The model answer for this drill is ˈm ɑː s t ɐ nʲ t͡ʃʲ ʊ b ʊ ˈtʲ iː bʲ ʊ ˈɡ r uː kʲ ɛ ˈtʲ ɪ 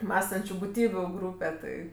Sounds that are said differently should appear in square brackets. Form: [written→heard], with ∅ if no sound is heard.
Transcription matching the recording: ˈm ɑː s t ɐ nʲ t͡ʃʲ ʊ b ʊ ˈtʲ iː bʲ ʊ ˈɡ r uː [kʲ→pʲ] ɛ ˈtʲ ɪ